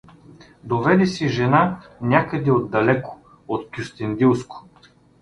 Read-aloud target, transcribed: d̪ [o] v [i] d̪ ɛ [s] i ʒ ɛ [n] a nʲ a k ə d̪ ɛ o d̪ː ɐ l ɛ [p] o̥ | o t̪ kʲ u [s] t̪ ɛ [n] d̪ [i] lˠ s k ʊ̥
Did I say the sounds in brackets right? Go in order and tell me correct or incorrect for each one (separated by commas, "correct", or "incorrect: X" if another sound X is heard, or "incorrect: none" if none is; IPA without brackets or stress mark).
correct, incorrect: ɛ, correct, correct, incorrect: k, correct, correct, correct